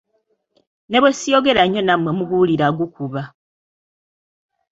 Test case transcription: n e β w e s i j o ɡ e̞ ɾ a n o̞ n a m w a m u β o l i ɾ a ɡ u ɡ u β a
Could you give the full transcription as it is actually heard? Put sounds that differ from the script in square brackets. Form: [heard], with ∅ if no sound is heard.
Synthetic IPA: n e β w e s i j o ɡ e̞ ɾ a [ɲ] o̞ n a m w [e] m u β [u] l i ɾ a ɡ u [k] u β a